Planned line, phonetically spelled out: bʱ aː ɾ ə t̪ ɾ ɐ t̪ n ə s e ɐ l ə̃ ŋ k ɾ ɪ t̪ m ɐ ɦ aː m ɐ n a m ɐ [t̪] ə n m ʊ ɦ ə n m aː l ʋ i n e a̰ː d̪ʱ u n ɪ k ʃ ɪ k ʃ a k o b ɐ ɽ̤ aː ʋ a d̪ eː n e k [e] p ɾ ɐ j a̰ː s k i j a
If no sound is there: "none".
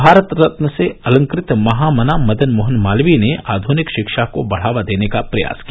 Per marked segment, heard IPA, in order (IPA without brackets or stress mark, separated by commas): d̪, a